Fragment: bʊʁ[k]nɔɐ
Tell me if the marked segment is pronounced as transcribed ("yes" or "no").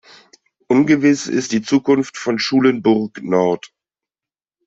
yes